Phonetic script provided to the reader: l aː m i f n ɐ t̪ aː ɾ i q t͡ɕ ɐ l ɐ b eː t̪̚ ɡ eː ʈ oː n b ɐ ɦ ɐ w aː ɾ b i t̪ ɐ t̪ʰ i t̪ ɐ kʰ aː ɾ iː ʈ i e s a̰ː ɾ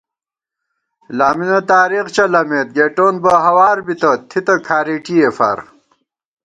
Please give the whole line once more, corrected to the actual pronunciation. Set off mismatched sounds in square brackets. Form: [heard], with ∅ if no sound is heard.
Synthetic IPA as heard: l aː m i [∅] n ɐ t̪ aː ɾ i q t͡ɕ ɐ l ɐ [m] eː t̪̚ ɡ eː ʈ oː n b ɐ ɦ ɐ w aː ɾ b i t̪ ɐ t̪ʰ i t̪ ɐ kʰ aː ɾ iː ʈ i e [f] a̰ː ɾ